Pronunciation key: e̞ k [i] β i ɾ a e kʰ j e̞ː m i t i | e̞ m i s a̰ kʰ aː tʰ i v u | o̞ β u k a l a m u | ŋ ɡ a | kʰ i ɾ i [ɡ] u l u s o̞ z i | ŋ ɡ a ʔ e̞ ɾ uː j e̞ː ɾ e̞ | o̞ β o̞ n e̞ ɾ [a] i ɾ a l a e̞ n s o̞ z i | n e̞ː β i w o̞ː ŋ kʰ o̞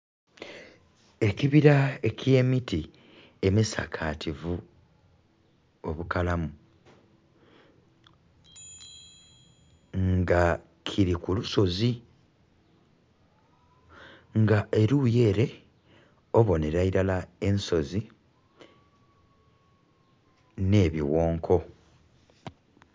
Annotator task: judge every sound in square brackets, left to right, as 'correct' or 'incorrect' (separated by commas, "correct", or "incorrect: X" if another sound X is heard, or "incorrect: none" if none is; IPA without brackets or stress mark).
correct, incorrect: k, correct